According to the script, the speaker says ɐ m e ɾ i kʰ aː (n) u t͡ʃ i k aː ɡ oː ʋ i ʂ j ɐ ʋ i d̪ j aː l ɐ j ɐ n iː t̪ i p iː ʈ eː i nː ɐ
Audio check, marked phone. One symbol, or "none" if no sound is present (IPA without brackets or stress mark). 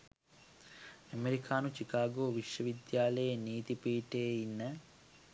n